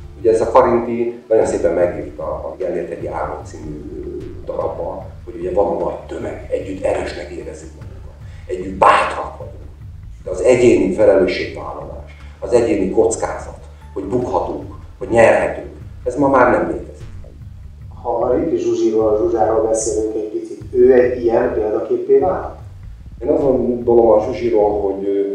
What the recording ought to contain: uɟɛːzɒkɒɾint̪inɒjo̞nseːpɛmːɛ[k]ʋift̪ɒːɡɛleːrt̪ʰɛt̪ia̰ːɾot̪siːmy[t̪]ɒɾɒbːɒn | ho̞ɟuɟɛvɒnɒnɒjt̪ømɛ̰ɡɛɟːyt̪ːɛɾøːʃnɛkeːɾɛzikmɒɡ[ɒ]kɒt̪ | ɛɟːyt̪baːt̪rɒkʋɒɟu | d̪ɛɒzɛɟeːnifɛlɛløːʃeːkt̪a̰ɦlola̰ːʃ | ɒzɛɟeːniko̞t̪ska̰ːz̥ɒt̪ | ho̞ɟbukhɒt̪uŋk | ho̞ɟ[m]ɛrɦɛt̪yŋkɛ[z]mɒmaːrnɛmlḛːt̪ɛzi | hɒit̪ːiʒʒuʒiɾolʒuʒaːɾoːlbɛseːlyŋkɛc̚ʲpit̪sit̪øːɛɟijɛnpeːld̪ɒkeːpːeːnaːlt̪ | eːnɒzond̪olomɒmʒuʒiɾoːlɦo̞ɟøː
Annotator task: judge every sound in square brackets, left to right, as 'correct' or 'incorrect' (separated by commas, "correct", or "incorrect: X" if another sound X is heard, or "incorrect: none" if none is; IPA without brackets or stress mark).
incorrect: ɡ, incorrect: d̪, incorrect: u, incorrect: ɲ, correct